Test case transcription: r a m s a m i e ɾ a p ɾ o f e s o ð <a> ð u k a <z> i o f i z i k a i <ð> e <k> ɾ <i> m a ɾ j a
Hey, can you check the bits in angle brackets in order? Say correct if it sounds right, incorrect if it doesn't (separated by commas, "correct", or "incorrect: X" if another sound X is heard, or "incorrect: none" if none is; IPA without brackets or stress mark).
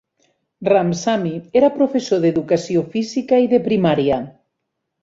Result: incorrect: e, incorrect: s, correct, incorrect: p, correct